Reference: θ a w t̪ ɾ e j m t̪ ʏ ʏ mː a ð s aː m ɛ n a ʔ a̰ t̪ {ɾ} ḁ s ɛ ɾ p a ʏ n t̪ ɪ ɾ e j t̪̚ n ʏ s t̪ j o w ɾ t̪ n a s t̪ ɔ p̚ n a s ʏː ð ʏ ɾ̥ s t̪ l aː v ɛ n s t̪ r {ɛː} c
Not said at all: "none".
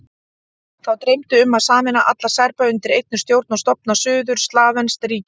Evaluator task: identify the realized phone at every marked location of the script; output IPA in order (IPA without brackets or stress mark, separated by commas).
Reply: l, iː